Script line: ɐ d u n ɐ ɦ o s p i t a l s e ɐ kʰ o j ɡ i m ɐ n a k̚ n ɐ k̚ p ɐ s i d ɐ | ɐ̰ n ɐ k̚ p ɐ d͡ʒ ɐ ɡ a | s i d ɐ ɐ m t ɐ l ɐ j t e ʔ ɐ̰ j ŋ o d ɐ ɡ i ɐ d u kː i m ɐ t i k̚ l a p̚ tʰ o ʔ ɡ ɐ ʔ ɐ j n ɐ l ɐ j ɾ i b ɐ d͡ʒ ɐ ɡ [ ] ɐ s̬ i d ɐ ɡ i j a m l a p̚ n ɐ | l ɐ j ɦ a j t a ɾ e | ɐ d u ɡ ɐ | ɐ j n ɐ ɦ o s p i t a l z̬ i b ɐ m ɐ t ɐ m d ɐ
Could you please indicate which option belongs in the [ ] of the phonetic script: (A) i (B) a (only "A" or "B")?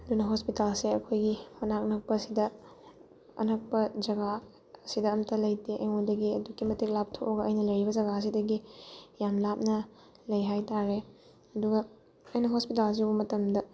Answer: B